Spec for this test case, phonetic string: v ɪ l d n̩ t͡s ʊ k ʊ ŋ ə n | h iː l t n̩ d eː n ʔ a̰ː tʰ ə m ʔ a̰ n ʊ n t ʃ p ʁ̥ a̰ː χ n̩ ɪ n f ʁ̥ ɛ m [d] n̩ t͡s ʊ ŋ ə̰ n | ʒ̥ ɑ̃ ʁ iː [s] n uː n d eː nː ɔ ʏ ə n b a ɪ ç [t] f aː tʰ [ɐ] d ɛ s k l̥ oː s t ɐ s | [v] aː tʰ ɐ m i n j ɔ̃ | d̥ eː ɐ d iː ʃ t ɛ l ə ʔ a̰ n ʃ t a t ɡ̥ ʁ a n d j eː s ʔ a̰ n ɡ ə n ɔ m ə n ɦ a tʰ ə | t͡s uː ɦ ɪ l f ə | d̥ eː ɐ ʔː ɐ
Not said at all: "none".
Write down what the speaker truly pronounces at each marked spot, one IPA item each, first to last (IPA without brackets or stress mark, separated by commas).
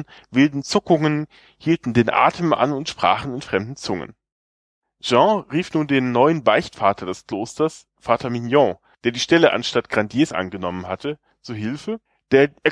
d, f, t, ɐ, f